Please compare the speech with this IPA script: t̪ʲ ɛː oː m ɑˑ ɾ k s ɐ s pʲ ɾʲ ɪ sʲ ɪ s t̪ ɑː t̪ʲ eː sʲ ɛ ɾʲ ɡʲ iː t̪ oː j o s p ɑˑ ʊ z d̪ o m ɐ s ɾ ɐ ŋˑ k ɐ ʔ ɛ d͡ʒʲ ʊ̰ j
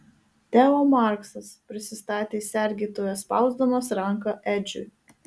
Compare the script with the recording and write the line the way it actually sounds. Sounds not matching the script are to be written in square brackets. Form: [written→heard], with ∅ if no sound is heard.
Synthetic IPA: t̪ʲ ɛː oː m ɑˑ ɾ k s ɐ s pʲ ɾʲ ɪ sʲ ɪ s t̪ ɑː t̪ʲ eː sʲ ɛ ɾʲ ɡʲ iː t̪ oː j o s p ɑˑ ʊ z d̪ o m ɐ s ɾ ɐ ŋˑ k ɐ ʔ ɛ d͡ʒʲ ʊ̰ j